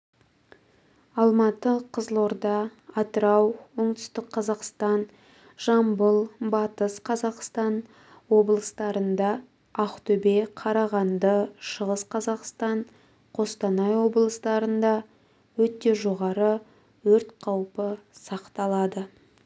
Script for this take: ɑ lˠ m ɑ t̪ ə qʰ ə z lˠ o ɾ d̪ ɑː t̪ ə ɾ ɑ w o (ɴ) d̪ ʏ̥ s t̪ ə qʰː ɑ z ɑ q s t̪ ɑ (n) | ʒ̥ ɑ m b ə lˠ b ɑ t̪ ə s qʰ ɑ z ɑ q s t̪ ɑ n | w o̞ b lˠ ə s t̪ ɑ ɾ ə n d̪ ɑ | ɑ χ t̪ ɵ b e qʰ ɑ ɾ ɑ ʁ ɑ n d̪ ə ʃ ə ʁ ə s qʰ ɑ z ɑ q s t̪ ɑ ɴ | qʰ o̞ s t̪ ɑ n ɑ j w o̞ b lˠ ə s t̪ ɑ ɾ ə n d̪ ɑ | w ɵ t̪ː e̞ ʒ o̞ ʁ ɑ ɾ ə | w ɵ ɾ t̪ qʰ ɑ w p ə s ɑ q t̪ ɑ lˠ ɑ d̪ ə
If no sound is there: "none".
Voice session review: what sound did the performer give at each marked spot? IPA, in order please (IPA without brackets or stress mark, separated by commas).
ɴ, n